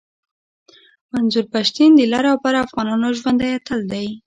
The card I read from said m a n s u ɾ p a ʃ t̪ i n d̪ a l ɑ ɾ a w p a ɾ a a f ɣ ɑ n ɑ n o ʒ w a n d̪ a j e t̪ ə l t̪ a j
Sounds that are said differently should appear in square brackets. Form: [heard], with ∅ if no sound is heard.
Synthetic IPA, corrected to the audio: m a n [z] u ɾ p a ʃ t̪ i n d̪ [ə] l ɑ ɾ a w p a ɾ a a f ɣ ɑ n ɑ n o ʒ w a n d̪ a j [a] t̪ ə l [d̪] a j